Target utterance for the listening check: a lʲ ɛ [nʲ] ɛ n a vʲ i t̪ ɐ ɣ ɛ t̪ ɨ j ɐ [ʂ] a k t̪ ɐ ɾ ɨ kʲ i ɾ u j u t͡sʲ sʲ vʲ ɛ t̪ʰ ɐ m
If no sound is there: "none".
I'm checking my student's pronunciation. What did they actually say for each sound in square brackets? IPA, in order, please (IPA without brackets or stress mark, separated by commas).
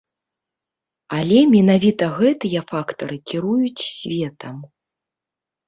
mʲ, f